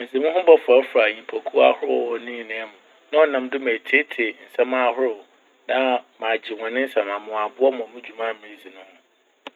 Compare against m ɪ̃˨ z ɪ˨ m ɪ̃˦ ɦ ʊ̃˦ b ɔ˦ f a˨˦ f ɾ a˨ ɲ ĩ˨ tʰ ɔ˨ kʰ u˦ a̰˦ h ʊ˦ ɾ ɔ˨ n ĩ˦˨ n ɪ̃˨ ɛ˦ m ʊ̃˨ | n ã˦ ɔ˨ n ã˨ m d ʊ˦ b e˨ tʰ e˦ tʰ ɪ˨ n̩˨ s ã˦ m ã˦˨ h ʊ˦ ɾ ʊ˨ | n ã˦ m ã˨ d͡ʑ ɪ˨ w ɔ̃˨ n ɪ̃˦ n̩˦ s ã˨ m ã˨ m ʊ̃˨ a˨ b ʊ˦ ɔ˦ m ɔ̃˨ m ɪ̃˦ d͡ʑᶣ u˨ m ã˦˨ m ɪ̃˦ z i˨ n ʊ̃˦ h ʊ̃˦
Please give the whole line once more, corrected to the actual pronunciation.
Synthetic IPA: m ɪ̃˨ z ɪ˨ m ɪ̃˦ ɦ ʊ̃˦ b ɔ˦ f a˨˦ f ɾ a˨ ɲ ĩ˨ pʰ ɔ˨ kʰ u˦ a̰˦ h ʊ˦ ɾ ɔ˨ n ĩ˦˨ n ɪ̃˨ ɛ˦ m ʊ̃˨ | n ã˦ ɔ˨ n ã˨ m d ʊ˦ m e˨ tʰ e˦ tʰ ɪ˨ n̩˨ s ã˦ m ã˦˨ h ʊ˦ ɾ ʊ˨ | n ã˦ m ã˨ d͡ʑ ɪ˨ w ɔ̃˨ n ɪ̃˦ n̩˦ s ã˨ m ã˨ m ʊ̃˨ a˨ b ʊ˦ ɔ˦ m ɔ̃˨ m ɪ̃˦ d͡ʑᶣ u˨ m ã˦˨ m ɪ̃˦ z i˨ n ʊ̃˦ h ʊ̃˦